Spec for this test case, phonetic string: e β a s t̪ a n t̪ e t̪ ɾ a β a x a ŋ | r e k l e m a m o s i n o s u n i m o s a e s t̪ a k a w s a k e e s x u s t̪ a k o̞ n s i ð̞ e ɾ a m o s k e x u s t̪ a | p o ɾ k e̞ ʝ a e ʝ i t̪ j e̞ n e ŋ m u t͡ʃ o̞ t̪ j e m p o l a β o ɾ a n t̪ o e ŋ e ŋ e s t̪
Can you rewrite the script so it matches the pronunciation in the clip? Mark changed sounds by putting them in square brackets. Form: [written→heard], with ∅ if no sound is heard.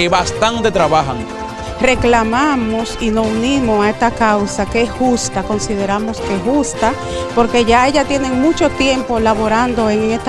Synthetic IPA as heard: e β a s t̪ a n t̪ e t̪ ɾ a β a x a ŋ | r e k l [e→a] m a m o s i n o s u n i m o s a e s t̪ a k a w s a k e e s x u s t̪ a k o̞ n s i ð̞ e ɾ a m o s k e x u s t̪ a | p o ɾ k e̞ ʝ a e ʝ [i→a] t̪ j e̞ n e ŋ m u t͡ʃ o̞ t̪ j e m p o l a β o ɾ a n [t̪→d̪] o e ŋ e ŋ e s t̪